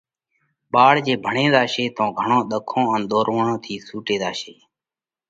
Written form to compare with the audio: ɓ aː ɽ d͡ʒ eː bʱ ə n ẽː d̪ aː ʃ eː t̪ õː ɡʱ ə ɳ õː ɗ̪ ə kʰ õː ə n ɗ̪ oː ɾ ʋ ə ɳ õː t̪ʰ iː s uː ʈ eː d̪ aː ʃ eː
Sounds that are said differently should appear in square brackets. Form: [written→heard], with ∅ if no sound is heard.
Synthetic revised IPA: ɓ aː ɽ d͡ʒ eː bʱ ə [n→ɳ] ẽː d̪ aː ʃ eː t̪ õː ɡʱ ə ɳ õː ɗ̪ ə kʰ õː ə n ɗ̪ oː ɾ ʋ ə ɳ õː t̪ʰ iː s uː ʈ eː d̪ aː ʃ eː